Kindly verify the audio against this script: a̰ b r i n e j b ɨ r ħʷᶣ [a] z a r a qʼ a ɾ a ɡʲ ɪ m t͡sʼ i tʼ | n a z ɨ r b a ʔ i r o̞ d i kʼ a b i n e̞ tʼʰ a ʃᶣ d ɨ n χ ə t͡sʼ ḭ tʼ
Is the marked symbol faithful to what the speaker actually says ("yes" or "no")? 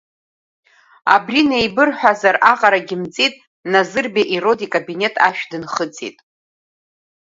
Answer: yes